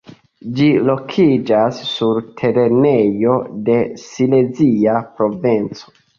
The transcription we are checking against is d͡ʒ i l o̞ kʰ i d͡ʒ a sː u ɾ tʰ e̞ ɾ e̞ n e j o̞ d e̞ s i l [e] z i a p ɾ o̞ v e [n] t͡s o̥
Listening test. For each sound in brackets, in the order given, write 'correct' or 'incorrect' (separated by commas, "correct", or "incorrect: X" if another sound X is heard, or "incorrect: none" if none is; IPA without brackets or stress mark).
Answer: correct, correct